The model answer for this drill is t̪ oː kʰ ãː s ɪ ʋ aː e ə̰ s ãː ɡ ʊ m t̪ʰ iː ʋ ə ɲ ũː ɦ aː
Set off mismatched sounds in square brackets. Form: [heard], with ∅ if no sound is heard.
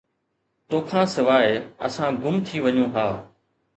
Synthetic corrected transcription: t̪ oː kʰ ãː s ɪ ʋ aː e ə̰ s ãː ɡ ʊ m t̪ʰ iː ʋ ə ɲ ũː ɦ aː